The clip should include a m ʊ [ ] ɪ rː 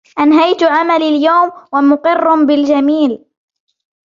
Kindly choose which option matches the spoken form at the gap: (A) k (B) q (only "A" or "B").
B